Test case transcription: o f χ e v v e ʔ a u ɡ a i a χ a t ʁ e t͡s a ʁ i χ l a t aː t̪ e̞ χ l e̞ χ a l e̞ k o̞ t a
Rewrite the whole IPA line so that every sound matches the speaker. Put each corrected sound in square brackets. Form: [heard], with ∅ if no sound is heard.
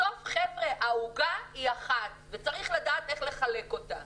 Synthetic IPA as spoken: o f χ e v [ʁ] e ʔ a u ɡ a i a χ a t [v] e t͡s a ʁ i χ l a [d] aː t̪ e̞ χ l e̞ χ a l e̞ k o̞ t a